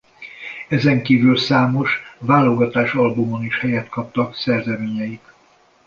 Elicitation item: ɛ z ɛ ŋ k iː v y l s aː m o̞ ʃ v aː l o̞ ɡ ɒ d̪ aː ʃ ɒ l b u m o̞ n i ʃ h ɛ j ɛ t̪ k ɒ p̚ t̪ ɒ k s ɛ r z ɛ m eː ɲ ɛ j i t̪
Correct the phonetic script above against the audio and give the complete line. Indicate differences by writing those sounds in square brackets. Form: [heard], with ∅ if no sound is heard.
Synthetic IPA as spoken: ɛ z ɛ ŋ k iː v y l s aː m o̞ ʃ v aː l o̞ ɡ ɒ [t̪] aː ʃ ɒ l b u m o̞ n i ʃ h ɛ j ɛ t̪ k ɒ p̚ t̪ ɒ k s ɛ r z ɛ m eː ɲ ɛ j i t̪